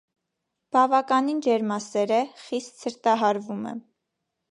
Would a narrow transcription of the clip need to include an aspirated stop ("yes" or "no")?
no